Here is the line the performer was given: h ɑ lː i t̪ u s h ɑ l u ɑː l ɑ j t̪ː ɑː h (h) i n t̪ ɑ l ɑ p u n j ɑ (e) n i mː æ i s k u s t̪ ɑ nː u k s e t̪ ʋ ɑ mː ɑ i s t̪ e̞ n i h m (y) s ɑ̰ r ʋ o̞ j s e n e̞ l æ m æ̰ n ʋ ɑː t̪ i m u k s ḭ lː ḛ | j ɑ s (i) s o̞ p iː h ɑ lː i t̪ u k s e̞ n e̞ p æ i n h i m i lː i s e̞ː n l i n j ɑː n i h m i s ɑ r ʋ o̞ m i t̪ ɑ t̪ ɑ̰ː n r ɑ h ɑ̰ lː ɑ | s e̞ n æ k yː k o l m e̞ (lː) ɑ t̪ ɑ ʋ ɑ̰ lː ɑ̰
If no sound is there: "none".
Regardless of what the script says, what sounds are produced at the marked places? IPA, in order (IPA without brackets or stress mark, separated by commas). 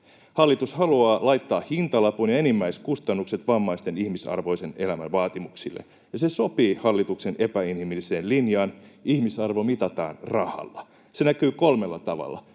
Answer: h, e, i, e, lː